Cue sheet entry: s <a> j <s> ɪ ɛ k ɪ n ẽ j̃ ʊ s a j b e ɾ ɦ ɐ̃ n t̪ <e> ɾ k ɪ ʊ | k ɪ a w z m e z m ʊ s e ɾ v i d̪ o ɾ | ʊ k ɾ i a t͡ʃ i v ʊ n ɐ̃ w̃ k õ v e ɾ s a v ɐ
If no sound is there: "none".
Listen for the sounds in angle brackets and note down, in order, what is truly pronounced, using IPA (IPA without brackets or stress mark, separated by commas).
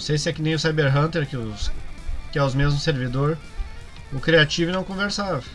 e, s, e